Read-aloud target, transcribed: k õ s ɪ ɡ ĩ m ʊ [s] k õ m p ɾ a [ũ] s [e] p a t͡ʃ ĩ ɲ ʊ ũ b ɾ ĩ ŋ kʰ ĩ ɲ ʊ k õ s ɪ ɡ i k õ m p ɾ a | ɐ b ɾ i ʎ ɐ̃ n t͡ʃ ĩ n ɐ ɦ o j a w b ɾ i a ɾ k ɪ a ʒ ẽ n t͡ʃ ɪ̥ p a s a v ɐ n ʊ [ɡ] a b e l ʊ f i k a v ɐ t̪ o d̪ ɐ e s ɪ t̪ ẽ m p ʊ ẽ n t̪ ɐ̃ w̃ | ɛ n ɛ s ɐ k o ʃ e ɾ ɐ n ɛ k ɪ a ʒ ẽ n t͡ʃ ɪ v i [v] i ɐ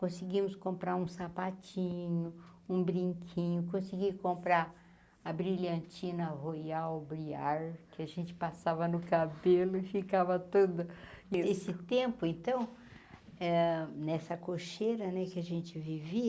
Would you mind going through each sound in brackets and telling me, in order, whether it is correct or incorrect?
correct, correct, incorrect, incorrect, correct

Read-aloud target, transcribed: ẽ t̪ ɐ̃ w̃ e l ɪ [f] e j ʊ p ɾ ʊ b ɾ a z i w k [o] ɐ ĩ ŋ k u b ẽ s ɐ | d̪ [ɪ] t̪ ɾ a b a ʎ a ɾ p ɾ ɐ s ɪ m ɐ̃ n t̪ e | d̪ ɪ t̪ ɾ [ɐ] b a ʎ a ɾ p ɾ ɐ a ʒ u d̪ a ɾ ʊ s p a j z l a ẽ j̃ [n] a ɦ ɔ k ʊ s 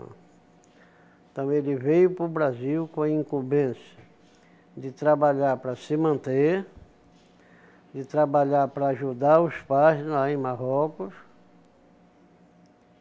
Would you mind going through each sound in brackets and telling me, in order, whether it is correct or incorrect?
incorrect, incorrect, correct, incorrect, incorrect

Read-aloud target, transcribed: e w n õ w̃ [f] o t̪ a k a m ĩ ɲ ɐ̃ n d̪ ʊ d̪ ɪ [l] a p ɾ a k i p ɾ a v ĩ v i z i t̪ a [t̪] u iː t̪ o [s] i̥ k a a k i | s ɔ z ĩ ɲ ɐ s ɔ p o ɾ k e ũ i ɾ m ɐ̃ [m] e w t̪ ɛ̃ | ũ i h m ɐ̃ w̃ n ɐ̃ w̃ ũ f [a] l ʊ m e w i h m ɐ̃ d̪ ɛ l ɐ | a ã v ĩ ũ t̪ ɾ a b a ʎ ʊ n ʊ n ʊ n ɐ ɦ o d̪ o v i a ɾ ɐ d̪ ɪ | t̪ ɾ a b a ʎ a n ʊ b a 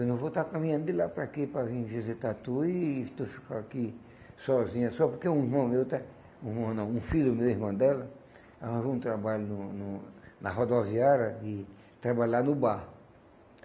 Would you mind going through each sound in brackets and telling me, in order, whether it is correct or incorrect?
incorrect, correct, correct, incorrect, correct, incorrect

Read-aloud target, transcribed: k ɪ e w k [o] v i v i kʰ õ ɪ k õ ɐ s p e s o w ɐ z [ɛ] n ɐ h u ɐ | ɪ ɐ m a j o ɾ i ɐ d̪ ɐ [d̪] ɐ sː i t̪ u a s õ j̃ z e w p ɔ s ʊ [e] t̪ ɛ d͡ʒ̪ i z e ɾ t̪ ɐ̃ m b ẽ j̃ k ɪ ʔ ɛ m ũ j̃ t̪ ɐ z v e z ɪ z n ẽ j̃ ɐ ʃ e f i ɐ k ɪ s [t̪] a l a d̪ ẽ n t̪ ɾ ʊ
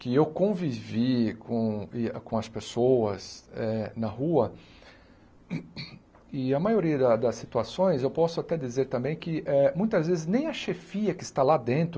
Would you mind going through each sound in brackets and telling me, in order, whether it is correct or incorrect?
incorrect, correct, correct, incorrect, correct

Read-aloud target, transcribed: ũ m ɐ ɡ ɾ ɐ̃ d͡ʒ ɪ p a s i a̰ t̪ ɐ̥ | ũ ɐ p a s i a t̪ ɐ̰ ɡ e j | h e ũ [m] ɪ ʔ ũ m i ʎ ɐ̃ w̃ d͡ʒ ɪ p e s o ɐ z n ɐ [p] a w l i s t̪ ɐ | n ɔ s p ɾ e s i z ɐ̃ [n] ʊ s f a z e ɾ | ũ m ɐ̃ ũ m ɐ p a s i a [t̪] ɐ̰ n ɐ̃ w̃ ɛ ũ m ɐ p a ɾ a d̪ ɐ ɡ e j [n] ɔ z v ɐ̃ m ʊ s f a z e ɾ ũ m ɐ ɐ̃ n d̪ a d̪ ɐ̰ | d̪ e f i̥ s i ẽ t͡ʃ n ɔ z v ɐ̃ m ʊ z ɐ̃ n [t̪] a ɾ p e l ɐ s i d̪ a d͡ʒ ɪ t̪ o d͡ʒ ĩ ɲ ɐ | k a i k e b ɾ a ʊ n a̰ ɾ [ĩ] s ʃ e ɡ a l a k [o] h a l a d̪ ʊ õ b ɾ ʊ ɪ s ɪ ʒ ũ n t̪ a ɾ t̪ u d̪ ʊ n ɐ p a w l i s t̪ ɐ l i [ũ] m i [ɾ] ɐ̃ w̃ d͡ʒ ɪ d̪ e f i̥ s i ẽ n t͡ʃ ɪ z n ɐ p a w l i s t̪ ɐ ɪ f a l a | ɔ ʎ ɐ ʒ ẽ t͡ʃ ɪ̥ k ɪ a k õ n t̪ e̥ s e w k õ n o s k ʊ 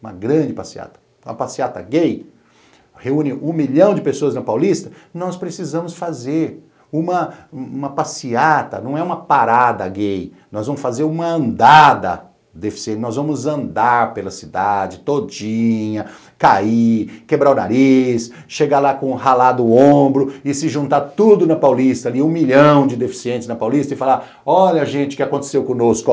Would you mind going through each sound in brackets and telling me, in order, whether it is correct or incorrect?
incorrect, correct, incorrect, correct, correct, incorrect, incorrect, incorrect, correct, incorrect

